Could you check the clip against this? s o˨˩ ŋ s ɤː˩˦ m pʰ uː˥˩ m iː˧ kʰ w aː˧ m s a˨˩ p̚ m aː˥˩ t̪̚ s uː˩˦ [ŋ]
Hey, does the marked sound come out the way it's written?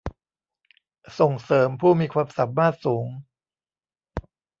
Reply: yes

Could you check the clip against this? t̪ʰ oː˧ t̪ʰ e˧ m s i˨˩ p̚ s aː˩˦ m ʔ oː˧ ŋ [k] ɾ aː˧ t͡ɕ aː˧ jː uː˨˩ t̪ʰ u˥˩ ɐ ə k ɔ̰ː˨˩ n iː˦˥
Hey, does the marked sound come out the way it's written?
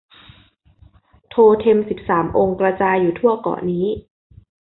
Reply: yes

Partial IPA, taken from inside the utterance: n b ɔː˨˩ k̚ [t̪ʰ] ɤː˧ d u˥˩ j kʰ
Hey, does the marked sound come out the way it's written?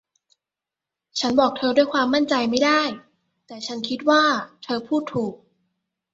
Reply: yes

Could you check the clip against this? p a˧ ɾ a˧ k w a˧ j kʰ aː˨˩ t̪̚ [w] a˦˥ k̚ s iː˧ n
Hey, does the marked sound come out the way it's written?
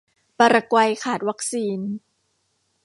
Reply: yes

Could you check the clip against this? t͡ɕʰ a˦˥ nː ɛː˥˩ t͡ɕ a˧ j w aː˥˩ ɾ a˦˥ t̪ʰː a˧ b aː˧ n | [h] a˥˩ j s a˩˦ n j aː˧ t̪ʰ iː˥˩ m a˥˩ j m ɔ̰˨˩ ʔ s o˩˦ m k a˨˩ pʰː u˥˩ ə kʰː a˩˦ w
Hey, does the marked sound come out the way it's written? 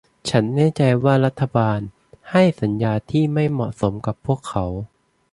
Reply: yes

